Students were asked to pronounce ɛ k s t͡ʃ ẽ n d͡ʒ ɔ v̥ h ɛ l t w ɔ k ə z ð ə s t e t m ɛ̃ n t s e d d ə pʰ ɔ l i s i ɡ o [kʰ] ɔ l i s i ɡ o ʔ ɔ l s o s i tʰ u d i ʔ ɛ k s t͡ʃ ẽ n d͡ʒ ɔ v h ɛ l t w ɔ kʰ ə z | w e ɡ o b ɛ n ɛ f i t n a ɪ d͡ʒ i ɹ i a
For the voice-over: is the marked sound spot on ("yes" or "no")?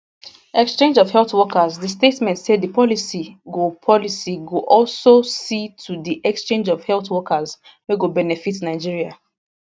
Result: no